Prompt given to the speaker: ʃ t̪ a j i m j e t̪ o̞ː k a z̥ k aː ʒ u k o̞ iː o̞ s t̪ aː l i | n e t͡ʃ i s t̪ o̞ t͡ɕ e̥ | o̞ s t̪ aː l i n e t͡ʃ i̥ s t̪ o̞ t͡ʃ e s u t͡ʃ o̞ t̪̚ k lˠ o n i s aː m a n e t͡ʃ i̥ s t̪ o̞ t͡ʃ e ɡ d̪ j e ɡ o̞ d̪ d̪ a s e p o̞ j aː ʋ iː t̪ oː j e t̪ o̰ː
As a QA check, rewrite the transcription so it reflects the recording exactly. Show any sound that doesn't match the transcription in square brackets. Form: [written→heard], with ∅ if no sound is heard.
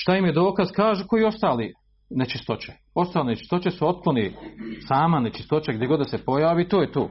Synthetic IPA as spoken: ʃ t̪ a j i m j e [t̪→d̪] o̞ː k a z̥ k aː ʒ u k o̞ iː o̞ s t̪ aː l i | n e t͡ʃ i s t̪ o̞ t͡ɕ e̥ | o̞ s t̪ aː l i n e t͡ʃ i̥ s t̪ o̞ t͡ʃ e s u [t͡ʃ→∅] o̞ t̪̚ k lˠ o n i s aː m a n e t͡ʃ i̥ s t̪ o̞ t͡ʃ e ɡ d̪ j e ɡ o̞ d̪ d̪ a s e p o̞ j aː ʋ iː t̪ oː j e t̪ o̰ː